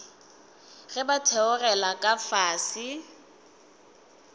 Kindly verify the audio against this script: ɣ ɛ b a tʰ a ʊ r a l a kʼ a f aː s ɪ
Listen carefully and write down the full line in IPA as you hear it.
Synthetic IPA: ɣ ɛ b a tʰ ɛ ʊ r ɛ l a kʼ a f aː s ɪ